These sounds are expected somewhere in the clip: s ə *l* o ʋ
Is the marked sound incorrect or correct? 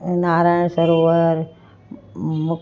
incorrect